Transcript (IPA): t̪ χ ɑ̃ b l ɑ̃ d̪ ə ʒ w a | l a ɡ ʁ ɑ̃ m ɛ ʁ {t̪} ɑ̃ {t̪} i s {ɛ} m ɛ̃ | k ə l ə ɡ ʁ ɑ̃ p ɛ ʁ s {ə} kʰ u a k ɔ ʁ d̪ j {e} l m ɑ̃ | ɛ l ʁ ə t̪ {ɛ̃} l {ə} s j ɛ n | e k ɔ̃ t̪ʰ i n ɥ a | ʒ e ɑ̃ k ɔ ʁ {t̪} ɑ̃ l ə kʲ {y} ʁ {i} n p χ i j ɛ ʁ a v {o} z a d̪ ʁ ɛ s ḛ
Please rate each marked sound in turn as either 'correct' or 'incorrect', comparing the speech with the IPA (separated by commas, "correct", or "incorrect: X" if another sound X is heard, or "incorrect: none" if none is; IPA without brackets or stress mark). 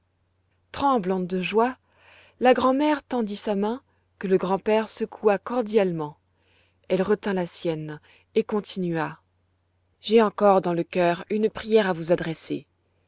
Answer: correct, incorrect: d̪, incorrect: a, correct, incorrect: a, correct, incorrect: a, incorrect: d̪, incorrect: œ, incorrect: y, incorrect: u